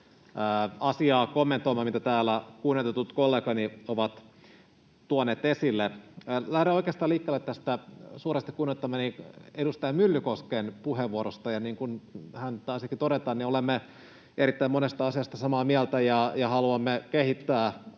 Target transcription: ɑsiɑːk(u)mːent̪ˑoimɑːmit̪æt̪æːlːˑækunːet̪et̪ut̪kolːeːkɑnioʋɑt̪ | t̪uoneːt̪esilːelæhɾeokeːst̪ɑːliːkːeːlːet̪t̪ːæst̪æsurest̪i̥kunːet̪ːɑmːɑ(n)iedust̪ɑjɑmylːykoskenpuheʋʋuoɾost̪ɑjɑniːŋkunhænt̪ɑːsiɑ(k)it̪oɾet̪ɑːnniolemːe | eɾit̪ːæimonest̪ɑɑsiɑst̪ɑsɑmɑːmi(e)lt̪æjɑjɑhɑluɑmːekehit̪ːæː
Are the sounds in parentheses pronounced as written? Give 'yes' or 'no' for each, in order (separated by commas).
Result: no, yes, yes, no